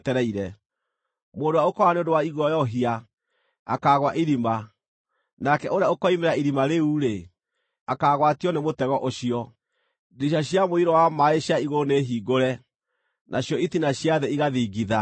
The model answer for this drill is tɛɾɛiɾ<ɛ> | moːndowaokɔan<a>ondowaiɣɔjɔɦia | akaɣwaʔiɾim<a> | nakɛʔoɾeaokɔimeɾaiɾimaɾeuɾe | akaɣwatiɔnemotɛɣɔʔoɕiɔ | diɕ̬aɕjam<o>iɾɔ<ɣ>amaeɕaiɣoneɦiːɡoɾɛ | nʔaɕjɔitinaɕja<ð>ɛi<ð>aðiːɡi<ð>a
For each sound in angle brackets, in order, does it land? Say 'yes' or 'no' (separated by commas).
yes, no, yes, yes, no, yes, no, yes